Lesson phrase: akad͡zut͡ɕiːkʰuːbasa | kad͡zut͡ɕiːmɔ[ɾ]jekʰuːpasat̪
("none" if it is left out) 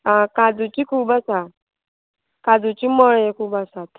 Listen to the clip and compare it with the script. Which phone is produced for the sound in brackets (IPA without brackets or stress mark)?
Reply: ɭ